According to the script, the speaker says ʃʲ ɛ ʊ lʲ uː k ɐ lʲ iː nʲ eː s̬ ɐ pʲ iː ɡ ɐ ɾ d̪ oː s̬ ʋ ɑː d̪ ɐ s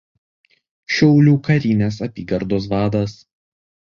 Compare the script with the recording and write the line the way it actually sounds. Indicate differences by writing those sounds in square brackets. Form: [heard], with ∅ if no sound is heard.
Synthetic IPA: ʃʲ ɛ ʊ lʲ uː k ɐ [ɾʲ] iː nʲ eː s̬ ɐ pʲ iː ɡ ɐ ɾ d̪ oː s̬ ʋ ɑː d̪ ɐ s